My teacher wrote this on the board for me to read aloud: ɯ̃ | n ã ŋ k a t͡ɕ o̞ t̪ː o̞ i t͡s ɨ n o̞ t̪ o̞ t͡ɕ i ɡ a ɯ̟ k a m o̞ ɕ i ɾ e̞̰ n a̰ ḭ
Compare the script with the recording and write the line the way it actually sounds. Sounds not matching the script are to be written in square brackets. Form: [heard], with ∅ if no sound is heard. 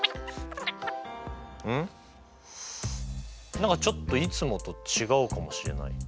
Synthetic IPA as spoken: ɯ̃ | n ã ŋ k a t͡ɕ o̞ t̪ː o̞ i t͡s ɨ [m] o̞ t̪ o̞ t͡ɕ i ɡ a ɯ̟ k a m o̞ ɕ i ɾ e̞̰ n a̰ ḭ

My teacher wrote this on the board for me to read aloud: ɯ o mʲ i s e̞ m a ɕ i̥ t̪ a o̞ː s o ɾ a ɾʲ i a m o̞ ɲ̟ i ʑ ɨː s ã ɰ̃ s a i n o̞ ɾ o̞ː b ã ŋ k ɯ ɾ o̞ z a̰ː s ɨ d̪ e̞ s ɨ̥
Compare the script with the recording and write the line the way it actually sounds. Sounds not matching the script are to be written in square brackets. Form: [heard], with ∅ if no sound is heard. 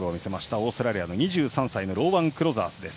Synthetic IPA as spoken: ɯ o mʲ i s e̞ m a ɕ i̥ t̪ a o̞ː s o ɾ a ɾʲ i a [n] o̞ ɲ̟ i ʑ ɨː s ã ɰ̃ s a i n o̞ ɾ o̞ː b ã ŋ k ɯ ɾ o̞ z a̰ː s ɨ d̪ e̞ s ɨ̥

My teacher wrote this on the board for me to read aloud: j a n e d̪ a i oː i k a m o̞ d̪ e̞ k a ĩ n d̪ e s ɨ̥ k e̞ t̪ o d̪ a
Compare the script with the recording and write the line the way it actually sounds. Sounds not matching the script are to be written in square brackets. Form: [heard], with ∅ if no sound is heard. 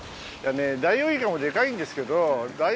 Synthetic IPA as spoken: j a n e d̪ a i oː i k a m o̞ d̪ e̞ k a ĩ n d̪ e s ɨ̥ k e̞ [d̪] o d̪ a

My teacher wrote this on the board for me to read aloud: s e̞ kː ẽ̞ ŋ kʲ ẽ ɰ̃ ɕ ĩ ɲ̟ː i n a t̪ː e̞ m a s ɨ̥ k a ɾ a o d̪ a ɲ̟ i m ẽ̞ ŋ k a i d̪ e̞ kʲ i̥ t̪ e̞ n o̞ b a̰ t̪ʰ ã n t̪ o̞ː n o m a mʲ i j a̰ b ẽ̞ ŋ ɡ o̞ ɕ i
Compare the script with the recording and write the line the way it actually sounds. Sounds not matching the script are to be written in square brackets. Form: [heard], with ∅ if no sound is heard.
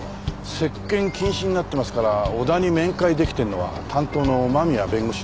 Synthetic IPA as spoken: s e̞ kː ẽ̞ ŋ kʲ [ĩ] ɰ̃ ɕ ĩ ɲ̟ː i n a t̪ː e̞ m a s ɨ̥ k a ɾ a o d̪ a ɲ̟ i m ẽ̞ ŋ k a i d̪ e̞ kʲ i̥ t̪ e̞ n o̞ [β] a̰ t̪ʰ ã n t̪ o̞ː n o m a mʲ i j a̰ b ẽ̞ ŋ ɡ o̞ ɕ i

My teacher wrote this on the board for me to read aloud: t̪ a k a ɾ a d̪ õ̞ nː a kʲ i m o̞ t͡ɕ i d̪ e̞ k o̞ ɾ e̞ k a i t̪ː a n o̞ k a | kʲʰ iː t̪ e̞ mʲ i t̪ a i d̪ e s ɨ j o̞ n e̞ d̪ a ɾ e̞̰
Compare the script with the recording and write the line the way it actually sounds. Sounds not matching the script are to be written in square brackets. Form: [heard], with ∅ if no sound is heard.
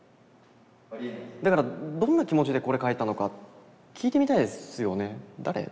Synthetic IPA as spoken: [d̪] a k a ɾ a d̪ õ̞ nː a kʲ i m o̞ t͡ɕ i d̪ e̞ k o̞ ɾ e̞ k a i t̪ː a n o̞ k a | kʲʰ iː t̪ e̞ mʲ i t̪ a i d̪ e s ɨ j o̞ n e̞ d̪ a ɾ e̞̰

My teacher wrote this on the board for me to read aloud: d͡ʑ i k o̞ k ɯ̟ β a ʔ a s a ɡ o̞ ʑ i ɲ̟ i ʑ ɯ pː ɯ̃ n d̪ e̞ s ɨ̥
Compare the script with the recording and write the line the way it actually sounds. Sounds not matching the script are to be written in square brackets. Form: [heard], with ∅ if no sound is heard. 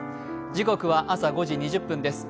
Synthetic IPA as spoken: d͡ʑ i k o̞ k ɯ̟ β a ʔ a s a ɡ o̞ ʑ i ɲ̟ i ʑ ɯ pː ɯ̃ n d̪ e̞ s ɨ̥

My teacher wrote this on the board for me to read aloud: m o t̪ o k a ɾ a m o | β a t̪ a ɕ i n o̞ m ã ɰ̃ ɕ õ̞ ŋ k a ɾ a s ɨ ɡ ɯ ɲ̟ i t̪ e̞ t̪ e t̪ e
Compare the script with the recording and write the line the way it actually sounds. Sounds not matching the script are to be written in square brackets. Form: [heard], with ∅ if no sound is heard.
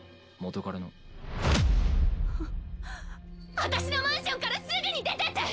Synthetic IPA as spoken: m o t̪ o k a ɾ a [n] o | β a t̪ a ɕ i n o̞ m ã ɰ̃ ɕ õ̞ ŋ k a ɾ a s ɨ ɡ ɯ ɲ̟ i [d̪] e̞ t̪ e t̪ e

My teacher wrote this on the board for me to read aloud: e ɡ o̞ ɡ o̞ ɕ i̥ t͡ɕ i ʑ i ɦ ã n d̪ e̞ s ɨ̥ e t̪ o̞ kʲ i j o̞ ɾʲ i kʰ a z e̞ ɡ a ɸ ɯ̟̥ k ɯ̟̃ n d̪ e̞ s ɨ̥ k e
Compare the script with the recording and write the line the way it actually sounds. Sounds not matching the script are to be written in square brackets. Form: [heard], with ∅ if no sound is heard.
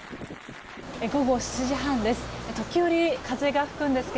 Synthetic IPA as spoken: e ɡ o̞ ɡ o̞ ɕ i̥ t͡ɕ i ʑ i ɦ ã n d̪ e̞ s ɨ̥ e t̪ o̞ kʲ i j o̞ ɾʲ i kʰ a z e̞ ɡ a ɸ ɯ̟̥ k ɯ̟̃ n d̪ e̞ s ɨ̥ k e

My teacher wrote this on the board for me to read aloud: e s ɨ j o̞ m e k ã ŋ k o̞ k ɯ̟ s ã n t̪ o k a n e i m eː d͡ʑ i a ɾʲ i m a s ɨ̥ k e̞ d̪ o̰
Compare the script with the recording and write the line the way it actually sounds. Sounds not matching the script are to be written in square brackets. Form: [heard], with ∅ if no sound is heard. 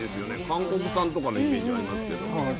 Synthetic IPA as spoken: e s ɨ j o̞ [n] e k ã ŋ k o̞ k ɯ̟ s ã n t̪ o k a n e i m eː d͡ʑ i a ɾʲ i m a s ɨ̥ k e̞ d̪ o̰

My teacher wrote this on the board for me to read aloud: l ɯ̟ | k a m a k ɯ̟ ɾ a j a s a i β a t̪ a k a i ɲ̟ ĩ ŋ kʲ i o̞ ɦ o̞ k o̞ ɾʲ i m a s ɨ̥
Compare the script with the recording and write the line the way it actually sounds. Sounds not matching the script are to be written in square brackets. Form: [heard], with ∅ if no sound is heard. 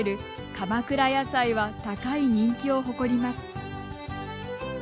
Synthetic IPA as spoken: [ɾ] ɯ̟ | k a m a k ɯ̟ ɾ a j a s a i β a t̪ a k a i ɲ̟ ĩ ŋ kʲ i o̞ ɦ o̞ k o̞ ɾʲ i m a s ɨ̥

